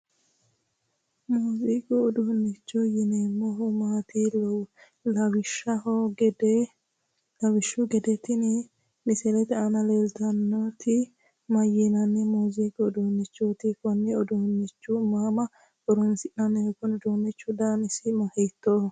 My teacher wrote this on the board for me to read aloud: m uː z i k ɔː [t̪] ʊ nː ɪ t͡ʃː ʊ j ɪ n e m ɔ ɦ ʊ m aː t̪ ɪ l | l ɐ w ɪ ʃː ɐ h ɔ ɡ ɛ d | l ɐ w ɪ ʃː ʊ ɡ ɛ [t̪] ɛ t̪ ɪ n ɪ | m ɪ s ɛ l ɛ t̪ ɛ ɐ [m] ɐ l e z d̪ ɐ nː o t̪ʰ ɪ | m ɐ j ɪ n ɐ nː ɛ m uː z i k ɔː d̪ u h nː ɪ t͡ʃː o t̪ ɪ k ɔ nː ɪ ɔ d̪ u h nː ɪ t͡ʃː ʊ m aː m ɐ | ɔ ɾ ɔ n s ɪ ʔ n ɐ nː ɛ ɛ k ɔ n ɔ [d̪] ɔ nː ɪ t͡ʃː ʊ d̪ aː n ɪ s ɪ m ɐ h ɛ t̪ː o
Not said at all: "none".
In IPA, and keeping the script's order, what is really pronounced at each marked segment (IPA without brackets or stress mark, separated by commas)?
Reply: d̪, d̪, n, d̪